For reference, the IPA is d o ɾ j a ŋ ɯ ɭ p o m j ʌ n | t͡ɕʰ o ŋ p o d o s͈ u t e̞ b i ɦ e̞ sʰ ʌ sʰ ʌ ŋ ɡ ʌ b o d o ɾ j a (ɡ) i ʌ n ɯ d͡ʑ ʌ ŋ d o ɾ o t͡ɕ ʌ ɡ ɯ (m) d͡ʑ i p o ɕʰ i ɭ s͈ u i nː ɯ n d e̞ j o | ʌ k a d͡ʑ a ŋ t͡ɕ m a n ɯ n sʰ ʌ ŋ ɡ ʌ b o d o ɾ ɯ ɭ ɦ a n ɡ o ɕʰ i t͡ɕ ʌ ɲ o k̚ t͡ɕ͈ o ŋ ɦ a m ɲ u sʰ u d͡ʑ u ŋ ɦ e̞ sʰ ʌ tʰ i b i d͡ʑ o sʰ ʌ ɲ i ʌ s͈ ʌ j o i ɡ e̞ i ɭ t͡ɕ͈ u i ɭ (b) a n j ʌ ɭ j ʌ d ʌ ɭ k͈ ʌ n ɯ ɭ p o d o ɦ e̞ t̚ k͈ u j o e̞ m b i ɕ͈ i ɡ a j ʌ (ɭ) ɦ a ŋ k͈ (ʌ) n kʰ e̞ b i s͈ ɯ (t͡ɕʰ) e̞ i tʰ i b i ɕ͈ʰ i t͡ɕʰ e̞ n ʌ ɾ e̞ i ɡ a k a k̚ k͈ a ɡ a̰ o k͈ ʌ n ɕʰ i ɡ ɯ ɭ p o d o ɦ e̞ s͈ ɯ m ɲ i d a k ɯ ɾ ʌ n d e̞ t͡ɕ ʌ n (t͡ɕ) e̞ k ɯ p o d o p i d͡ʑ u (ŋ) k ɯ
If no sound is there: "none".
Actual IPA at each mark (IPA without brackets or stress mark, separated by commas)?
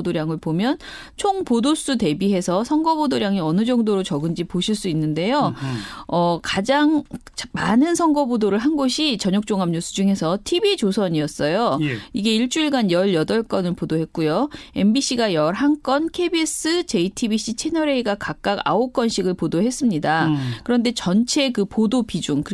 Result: ŋ, n, ɡ, ɾ, ʌ, t͡ɕ, t͡ɕʰ, ŋ